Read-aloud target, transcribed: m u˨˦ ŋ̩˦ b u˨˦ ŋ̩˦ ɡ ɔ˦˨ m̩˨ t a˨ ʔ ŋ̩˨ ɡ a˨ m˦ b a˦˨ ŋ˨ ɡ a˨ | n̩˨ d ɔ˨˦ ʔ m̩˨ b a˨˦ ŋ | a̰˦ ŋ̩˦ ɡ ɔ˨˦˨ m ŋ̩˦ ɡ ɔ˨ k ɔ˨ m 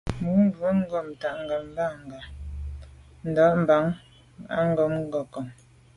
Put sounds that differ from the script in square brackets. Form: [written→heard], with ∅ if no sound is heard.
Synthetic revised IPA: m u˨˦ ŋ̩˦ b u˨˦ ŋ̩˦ ɡ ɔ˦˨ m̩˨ t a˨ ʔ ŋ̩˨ ɡ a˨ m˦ b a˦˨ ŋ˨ ɡ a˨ | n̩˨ d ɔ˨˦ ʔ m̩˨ b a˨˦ ŋ | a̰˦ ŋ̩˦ ɡ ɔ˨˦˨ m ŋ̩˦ ɡ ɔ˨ k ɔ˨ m